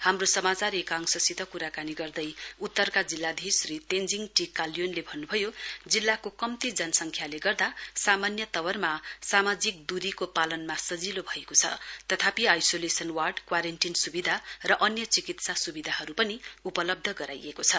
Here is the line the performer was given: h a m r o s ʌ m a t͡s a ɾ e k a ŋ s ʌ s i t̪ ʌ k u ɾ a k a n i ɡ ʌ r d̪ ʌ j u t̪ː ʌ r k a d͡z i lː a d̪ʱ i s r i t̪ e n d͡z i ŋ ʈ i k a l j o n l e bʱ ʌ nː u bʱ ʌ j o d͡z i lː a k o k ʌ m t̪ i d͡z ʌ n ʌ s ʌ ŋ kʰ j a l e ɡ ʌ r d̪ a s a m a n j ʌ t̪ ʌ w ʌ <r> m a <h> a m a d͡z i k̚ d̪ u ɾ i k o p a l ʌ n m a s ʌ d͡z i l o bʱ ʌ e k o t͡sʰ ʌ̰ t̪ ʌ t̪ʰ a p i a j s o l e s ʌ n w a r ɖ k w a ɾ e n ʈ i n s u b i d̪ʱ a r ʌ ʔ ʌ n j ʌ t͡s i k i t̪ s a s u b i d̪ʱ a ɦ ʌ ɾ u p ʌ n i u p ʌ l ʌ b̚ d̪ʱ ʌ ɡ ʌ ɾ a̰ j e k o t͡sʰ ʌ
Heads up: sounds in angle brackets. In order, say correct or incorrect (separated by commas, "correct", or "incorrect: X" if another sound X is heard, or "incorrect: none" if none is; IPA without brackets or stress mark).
correct, incorrect: s